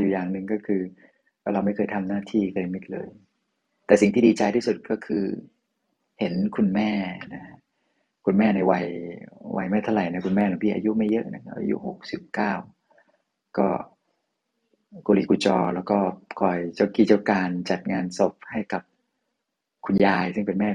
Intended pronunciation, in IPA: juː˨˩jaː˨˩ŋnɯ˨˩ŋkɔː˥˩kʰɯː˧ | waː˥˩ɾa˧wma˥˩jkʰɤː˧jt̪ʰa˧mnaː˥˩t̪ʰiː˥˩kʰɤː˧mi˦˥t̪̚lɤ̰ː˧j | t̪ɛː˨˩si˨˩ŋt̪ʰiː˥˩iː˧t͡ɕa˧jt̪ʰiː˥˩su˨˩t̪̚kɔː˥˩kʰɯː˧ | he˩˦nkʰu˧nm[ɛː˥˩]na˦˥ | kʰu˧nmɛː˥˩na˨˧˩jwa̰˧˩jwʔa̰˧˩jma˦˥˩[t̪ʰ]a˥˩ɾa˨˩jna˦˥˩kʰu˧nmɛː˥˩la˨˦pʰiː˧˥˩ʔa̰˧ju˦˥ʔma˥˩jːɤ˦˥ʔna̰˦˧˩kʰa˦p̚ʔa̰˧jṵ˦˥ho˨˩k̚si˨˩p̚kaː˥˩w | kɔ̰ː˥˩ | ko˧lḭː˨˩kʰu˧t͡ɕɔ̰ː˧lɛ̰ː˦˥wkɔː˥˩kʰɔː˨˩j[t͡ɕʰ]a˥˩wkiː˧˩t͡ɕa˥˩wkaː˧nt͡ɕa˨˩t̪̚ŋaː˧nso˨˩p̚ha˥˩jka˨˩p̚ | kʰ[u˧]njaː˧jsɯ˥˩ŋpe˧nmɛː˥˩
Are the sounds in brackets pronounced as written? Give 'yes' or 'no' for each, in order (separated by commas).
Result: yes, yes, no, yes